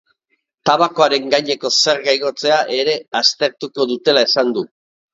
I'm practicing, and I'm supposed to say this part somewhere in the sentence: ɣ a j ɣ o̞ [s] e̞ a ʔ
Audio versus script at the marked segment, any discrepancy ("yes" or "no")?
yes